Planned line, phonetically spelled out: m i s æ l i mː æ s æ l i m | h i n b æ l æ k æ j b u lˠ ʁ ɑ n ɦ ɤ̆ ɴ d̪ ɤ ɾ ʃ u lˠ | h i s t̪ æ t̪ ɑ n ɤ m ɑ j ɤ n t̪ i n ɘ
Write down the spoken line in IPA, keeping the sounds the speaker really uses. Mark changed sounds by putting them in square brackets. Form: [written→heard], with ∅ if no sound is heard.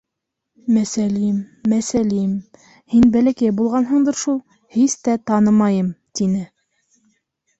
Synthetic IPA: m [i→æ] s æ l i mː æ s æ l i m | h i n b æ l æ k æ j b u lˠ ʁ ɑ n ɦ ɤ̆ ɴ d̪ ɤ ɾ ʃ u lˠ | h i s t̪ æ t̪ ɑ n ɤ m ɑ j ɤ [n→m] t̪ i n ɘ